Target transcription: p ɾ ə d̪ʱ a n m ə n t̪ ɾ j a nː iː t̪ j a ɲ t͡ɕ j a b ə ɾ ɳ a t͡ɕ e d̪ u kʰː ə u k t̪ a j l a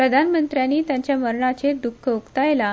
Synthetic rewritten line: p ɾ ə d̪ʱ a n m ə n t̪ ɾ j a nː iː t̪ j a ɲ t͡ɕ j a m ə ɾ ɳ a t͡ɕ e d̪ u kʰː ə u k t̪ a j l a